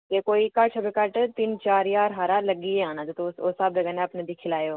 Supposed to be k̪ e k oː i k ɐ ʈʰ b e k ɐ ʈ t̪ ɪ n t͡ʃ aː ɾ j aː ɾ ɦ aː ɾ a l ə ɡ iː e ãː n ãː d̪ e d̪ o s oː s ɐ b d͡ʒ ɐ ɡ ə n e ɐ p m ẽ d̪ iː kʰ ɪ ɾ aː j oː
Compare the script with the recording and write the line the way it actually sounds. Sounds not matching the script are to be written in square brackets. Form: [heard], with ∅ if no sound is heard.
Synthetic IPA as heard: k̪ e k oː i k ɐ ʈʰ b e k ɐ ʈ t̪ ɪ n t͡ʃ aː ɾ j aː ɾ ɦ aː ɾ a l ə ɡ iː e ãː n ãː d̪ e [t̪] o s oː s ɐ b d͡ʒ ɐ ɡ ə n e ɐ p [n] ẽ d̪ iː kʰ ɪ [l] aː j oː

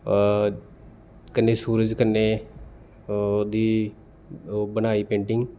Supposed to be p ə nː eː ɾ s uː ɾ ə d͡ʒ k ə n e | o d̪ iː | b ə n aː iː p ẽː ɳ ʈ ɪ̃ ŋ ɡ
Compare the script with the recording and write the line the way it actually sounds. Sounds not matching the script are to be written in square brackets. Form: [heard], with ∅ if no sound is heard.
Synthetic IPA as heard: [k] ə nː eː [∅] s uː ɾ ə d͡ʒ k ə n e | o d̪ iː | b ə n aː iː p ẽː ɳ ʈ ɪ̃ ŋ ɡ

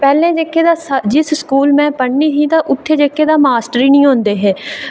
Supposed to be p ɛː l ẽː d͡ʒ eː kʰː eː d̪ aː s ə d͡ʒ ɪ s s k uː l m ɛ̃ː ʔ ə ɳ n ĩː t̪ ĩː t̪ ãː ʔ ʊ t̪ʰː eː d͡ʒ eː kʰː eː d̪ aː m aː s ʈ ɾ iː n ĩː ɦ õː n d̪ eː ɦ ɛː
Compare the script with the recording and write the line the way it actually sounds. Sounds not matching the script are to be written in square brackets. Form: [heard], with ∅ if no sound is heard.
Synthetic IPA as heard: p ɛː l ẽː d͡ʒ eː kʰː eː d̪ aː s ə d͡ʒ ɪ s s k uː l m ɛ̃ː [p] ə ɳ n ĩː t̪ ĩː t̪ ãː ʔ ʊ t̪ʰː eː d͡ʒ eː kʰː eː d̪ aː m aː s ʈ ɾ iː n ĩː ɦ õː n d̪ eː ɦ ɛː

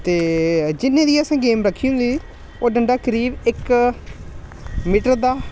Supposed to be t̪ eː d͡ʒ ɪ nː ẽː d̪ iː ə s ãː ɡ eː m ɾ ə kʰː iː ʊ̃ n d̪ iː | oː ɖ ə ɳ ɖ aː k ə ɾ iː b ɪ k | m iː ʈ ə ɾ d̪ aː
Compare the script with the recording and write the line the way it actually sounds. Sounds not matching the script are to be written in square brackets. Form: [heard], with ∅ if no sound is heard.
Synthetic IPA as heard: t̪ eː d͡ʒ ɪ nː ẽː d̪ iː ə s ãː ɡ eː m ɾ ə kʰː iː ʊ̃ n d̪ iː | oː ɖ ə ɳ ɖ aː k ə ɾ iː b ɪ k | m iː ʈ ə ɾ d̪ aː

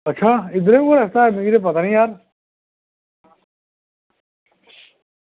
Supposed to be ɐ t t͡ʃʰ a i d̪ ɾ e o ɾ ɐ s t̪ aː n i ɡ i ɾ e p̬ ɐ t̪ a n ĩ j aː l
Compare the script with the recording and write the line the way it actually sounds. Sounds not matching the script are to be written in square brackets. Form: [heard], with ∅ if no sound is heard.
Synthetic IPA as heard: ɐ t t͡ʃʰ a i d̪ ɾ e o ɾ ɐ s t̪ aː [m] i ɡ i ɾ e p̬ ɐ t̪ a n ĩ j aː [ɾ]

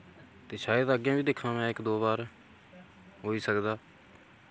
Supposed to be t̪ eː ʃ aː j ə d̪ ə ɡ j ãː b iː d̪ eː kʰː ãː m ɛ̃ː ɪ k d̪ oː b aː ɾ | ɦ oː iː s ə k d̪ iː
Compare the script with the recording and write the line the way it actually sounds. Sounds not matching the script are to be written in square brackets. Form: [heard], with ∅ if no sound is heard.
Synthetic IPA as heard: t̪ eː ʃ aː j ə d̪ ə ɡ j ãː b iː d̪ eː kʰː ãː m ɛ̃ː ɪ k d̪ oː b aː ɾ | ɦ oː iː s ə k d̪ [aː]

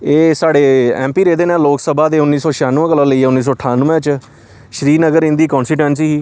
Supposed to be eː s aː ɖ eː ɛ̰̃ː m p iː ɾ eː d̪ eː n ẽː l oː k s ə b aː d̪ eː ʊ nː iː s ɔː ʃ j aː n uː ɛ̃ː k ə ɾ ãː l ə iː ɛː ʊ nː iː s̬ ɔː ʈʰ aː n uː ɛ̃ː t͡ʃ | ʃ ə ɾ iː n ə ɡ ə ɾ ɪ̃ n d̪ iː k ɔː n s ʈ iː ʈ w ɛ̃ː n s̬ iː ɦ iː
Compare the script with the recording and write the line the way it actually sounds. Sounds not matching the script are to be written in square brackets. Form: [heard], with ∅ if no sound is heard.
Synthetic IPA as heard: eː s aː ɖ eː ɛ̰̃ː m p iː ɾ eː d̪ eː n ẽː l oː k s ə b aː d̪ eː ʊ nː iː s ɔː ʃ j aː n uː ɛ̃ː k ə [l] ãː l ə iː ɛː ʊ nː iː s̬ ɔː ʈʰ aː n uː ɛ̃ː t͡ʃ | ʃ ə ɾ iː n ə ɡ ə ɾ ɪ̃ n d̪ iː k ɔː n s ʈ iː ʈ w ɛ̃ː n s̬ iː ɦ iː

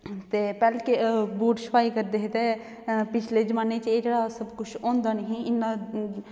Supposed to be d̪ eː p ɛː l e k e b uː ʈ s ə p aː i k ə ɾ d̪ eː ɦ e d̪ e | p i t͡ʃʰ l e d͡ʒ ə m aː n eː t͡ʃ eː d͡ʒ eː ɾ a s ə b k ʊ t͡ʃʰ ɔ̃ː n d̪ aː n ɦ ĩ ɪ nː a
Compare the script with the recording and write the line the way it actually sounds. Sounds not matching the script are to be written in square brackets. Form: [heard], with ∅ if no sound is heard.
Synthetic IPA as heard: [t̪] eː p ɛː l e k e b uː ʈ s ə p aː i k ə ɾ d̪ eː ɦ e [t̪] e | p [ɪ] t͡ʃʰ l e d͡ʒ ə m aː n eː t͡ʃ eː d͡ʒ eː [ɽ] a s ə b k ʊ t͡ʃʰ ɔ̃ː n d̪ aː n ɦ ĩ ɪ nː a

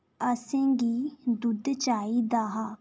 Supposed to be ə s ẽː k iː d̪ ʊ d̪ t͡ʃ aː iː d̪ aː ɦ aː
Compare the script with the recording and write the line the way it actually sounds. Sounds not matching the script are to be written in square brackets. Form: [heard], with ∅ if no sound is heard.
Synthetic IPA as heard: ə s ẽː [ɡ] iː d̪ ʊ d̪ t͡ʃ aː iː d̪ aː ɦ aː

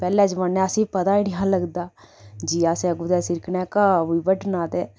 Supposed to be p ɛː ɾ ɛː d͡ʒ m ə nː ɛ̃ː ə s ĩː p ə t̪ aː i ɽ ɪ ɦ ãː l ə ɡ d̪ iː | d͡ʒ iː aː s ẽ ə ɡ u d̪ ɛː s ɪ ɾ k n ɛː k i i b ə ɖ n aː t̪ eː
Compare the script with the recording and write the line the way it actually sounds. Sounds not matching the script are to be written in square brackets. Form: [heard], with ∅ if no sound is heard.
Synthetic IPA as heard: p ɛː [l] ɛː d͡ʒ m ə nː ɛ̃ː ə s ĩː p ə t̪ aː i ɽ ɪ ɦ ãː l ə ɡ d̪ [aː] | d͡ʒ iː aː s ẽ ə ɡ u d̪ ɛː s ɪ ɾ k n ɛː k [a] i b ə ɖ n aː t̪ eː

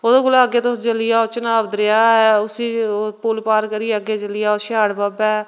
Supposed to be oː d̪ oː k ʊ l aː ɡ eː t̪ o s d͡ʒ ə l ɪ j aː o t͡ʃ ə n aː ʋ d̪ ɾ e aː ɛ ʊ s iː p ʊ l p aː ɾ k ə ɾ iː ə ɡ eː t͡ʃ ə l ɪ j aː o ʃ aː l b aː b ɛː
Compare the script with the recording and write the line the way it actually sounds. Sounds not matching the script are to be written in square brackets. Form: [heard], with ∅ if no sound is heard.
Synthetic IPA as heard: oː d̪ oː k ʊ l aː ɡ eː t̪ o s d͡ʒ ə l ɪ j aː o t͡ʃ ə n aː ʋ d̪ ɾ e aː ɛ ʊ s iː p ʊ l p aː ɾ k ə ɾ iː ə ɡ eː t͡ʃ ə l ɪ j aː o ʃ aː [ɽ] b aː b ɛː

